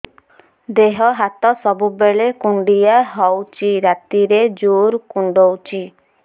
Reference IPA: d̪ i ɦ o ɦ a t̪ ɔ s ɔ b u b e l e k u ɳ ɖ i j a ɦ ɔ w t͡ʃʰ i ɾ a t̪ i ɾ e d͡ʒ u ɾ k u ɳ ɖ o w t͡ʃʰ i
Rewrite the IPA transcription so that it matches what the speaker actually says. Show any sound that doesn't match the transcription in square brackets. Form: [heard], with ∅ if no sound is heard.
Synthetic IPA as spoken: d̪ [e] ɦ [ɔ] ɦ a t̪ ɔ s ɔ b u b e [ɭ] e k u ɳ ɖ i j a ɦ ɔ w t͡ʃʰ i ɾ a t̪ i ɾ e d͡ʒ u ɾ k u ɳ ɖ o w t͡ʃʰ i